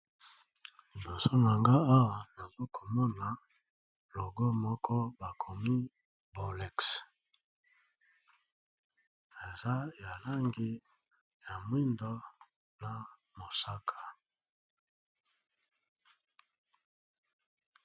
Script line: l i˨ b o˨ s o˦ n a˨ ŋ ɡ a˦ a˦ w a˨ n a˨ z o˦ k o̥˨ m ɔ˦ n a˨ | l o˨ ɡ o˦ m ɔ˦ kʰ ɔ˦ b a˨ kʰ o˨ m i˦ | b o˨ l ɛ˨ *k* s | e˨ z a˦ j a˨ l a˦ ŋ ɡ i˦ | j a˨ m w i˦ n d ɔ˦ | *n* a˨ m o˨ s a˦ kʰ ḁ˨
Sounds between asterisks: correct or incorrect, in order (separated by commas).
correct, correct